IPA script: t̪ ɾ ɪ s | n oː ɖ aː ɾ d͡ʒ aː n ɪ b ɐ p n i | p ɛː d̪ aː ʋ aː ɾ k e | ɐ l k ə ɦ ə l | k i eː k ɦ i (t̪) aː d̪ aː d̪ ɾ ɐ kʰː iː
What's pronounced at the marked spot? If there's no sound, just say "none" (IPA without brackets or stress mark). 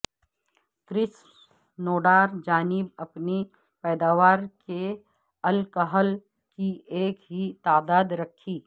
t̪